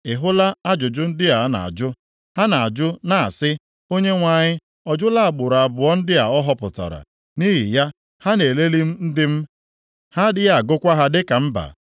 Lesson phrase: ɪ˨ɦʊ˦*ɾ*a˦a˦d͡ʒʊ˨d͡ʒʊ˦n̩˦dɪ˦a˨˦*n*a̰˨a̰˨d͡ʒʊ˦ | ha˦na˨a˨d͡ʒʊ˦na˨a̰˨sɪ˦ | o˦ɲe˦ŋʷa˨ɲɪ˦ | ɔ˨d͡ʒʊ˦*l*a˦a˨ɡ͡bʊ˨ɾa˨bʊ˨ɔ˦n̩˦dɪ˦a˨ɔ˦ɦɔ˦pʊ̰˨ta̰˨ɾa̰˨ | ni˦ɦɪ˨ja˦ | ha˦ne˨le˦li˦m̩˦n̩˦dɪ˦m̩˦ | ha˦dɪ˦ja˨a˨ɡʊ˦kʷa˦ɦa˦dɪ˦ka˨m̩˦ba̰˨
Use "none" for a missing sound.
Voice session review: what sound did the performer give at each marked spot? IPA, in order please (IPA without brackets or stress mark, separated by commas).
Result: l, n, l